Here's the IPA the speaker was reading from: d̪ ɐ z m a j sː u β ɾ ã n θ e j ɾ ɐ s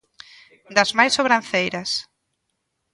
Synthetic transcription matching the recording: d̪ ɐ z m a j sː o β ɾ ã n θ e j ɾ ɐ s